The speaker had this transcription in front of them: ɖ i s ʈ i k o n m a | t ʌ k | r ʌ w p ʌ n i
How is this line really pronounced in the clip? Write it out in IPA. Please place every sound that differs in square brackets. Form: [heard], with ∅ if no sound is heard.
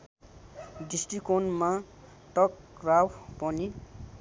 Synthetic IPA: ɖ i s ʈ i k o n m a | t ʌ k | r [a] w p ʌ n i